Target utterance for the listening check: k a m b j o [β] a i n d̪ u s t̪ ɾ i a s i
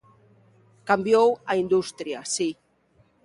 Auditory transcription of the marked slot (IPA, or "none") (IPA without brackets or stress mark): w